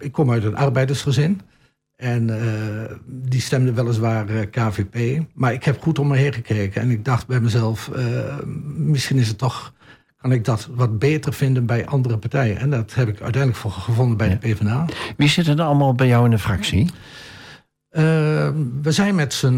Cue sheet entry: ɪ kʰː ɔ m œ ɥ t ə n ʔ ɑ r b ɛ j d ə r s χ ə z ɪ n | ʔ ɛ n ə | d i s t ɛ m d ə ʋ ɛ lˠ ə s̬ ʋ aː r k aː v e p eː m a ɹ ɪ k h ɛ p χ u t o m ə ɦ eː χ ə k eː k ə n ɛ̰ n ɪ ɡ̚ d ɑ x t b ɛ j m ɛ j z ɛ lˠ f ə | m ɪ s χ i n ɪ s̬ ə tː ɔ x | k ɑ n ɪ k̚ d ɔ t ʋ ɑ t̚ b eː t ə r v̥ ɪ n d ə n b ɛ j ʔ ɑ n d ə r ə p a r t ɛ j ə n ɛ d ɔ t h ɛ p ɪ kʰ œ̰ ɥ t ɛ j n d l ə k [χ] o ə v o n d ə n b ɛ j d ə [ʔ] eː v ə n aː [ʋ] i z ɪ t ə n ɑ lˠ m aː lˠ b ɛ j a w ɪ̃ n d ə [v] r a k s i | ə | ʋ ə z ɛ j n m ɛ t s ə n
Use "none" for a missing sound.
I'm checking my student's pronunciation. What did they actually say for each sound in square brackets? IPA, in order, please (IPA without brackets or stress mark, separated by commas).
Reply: f, p, ʋ, f